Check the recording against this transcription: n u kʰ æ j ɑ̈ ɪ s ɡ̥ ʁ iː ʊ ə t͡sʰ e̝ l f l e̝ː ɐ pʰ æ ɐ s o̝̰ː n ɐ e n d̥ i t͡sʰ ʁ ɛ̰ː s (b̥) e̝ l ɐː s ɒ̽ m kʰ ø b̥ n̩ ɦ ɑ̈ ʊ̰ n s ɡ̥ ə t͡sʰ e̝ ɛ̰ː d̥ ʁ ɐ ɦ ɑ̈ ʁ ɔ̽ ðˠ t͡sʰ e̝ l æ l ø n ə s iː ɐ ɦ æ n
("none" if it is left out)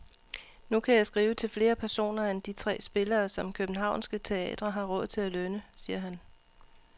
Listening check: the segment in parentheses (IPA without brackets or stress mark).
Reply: b̥